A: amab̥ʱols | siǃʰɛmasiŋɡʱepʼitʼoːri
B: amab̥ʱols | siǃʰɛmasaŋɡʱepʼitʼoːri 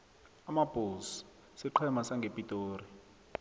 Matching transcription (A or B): B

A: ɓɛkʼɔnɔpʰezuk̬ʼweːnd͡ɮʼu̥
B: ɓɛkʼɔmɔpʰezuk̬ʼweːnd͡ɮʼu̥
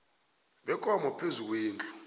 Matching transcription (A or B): B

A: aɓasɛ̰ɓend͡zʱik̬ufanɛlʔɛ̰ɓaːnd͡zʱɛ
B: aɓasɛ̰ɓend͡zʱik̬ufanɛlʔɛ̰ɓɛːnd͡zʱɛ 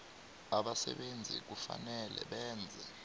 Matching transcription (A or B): B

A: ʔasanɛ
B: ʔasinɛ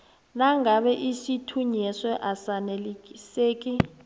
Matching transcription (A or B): A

